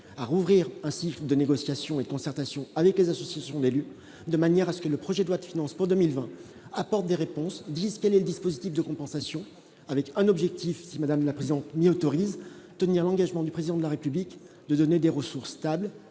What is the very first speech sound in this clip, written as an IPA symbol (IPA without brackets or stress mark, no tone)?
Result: a